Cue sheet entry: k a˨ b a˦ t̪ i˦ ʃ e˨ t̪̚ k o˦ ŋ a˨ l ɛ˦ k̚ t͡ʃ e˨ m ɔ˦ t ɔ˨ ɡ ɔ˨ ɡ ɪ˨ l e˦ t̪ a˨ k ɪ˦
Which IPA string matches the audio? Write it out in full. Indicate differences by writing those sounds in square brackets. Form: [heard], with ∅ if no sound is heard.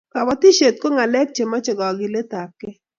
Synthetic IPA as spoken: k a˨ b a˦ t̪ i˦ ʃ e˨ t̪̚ k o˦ ŋ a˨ l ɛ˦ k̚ t͡ʃ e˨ m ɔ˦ [t͡ʃ] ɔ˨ ɡ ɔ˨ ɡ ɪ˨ l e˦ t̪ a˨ k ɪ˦